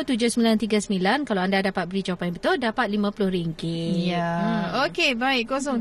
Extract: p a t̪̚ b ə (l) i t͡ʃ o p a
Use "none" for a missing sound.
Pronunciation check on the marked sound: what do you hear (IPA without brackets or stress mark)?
ɾ